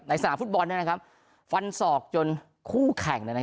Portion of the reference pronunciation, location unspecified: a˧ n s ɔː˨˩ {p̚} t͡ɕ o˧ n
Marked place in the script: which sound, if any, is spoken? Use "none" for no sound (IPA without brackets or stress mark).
k̚